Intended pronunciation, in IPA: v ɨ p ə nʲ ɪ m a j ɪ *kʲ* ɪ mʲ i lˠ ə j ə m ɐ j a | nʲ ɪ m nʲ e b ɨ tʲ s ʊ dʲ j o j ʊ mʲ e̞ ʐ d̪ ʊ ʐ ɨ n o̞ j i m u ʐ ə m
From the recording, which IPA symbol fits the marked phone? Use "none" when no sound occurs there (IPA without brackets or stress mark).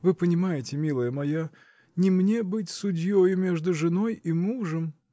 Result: tʲ